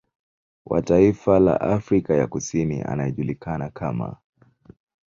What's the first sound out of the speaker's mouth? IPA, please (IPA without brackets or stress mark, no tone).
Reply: w